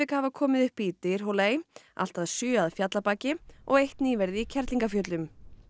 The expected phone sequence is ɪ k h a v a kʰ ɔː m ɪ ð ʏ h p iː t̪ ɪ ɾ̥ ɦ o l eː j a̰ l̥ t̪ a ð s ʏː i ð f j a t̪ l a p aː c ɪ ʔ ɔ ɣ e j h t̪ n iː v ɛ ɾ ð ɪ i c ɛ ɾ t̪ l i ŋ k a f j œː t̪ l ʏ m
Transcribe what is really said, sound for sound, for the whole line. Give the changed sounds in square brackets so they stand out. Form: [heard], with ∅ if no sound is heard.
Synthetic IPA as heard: ɪ k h a v a kʰ ɔː m ɪ ð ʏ h p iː t̪ ɪ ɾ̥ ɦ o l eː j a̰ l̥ t̪ a ð s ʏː [a] ð f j a t̪ l a p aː c ɪ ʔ ɔ ɣ e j h t̪ n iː v ɛ ɾ ð ɪ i [cʰ] ɛ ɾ t̪ l i ŋ k a f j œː t̪ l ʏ m

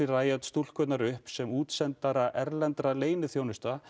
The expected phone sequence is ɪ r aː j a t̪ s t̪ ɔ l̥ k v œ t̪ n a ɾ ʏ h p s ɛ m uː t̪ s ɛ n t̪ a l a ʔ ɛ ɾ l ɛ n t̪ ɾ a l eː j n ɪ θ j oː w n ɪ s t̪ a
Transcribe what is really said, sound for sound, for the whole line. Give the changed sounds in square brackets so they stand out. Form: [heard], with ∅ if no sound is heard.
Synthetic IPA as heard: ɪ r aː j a t̪ s t̪ [u] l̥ k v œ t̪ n a ɾ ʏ h p s ɛ m uː t̪ s ɛ n t̪ a [ɾ] a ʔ ɛ ɾ l ɛ n t̪ ɾ a l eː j n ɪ θ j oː w n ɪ s t̪ a

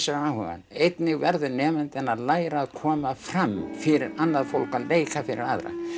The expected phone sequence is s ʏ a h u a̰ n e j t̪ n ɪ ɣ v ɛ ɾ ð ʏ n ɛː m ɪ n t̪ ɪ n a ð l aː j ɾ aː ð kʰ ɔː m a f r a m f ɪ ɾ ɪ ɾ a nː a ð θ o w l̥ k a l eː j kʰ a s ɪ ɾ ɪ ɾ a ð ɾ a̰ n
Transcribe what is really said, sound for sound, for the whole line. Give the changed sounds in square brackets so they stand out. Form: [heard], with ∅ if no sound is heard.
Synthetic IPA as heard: s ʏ a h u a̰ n e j t̪ n ɪ ɣ v ɛ ɾ ð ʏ n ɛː m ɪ n t̪ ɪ n a ð l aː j ɾ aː ð kʰ ɔː m a f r a m f ɪ ɾ ɪ ɾ a nː a ð [f] o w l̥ k a l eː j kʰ a [f] ɪ ɾ ɪ ɾ a ð ɾ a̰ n

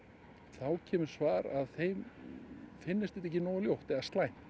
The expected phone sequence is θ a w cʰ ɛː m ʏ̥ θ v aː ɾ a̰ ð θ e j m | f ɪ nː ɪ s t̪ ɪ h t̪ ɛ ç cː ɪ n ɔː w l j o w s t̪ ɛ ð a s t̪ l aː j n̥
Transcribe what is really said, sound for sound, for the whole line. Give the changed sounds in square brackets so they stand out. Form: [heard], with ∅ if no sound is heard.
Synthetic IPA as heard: θ a w cʰ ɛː m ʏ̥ [s] v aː ɾ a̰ ð θ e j m | f ɪ nː ɪ s t̪ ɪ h t̪ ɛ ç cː ɪ n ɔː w l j o w [h] t̪ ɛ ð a s t̪ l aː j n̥

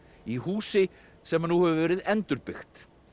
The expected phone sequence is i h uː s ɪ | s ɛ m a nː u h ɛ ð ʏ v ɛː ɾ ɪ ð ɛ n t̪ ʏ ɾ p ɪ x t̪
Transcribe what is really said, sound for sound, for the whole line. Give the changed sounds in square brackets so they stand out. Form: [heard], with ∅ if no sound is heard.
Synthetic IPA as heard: i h uː s ɪ | s ɛ m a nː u h ɛ [v] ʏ v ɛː ɾ ɪ ð ɛ n t̪ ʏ ɾ p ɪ x t̪

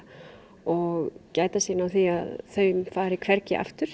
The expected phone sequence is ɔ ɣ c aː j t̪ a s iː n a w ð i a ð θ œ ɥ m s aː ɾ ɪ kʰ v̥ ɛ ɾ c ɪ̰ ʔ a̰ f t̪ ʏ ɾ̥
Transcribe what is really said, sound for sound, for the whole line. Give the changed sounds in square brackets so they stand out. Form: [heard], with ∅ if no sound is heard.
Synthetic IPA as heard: ɔ ɣ c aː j t̪ a s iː n a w [θ] i a ð θ œ ɥ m [f] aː ɾ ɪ kʰ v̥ ɛ ɾ c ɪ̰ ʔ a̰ f t̪ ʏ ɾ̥

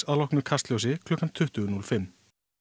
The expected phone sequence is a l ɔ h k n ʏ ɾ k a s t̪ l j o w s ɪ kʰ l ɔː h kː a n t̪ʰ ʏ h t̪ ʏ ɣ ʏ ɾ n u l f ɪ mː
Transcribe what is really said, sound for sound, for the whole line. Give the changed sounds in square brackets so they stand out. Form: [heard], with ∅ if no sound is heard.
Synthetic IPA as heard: a l ɔ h k n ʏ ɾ [kʰ] a s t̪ l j o w s ɪ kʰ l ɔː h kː a n t̪ʰ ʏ h t̪ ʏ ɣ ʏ [∅] n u l f ɪ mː

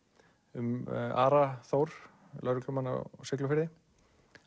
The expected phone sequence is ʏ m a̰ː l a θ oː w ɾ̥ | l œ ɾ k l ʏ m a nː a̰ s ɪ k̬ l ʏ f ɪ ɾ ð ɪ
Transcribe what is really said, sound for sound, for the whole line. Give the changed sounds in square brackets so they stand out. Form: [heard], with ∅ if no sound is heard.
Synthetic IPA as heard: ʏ m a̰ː [ɾ] a θ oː w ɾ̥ | l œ ɾ k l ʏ m a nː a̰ s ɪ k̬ l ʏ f ɪ ɾ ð ɪ

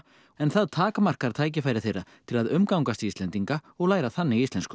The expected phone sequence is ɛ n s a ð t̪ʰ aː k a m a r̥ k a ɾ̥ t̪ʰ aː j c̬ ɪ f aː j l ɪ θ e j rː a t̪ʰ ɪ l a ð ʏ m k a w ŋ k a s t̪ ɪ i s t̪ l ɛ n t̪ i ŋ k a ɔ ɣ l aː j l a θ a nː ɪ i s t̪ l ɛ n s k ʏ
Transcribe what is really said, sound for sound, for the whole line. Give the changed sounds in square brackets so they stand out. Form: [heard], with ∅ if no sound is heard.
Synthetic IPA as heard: ɛ n [θ] a ð t̪ʰ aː k a m a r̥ k a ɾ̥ t̪ʰ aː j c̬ ɪ f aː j [ɾ] ɪ θ e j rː a t̪ʰ ɪ l a ð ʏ m k a w ŋ k a s t̪ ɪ i s t̪ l ɛ n t̪ i ŋ k a ɔ ɣ l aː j [ɾ] a θ a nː ɪ i s t̪ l ɛ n s k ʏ

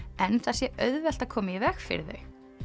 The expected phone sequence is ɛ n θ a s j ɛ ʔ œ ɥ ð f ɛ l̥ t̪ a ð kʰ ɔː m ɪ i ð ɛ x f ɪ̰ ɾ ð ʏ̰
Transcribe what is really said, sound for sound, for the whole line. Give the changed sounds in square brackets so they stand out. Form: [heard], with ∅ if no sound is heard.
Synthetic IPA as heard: ɛ n θ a s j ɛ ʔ œ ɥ ð [v] ɛ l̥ t̪ a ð kʰ ɔː m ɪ i [v] ɛ x f ɪ̰ ɾ ð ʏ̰

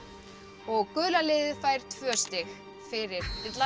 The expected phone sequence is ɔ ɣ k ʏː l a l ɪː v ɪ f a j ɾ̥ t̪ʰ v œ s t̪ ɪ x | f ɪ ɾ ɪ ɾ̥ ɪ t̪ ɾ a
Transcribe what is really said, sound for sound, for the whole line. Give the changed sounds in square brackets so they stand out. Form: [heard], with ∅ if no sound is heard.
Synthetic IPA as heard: ɔ ɣ k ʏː l a l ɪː [ð] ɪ f a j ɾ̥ t̪ʰ v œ s t̪ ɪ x | f ɪ ɾ ɪ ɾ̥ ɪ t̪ [l] a

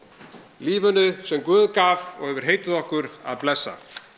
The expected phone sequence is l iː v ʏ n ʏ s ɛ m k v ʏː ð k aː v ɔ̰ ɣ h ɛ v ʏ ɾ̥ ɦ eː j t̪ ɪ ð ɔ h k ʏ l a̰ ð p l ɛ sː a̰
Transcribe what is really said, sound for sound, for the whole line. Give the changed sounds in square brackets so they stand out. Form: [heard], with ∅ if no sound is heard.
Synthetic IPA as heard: l iː v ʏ n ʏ s ɛ m k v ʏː ð k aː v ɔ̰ ɣ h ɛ v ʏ ɾ̥ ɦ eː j t̪ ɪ ð ɔ h k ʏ [ɾ] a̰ ð p l ɛ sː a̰

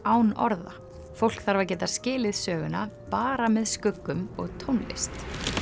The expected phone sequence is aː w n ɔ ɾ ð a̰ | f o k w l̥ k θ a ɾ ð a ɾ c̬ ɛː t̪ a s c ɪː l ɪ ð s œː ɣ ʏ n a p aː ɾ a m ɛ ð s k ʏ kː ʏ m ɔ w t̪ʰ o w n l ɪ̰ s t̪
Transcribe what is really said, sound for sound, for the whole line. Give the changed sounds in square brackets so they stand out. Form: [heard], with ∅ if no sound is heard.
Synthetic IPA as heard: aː w n ɔ ɾ ð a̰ | f o [∅] w l̥ k θ a ɾ [v] a ɾ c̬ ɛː t̪ a s c ɪː l ɪ ð s œː ɣ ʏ n a p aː ɾ a m ɛ ð s k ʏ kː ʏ m ɔ [ɣ] t̪ʰ o w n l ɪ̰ s t̪

